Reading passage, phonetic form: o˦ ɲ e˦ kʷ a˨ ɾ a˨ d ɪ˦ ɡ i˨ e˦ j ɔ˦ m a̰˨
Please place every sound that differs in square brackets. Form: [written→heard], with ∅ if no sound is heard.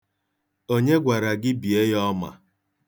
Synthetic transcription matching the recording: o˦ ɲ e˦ [kʷ→ɡʷ] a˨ ɾ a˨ [d→ɡ] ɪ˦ [ɡ→b] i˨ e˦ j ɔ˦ m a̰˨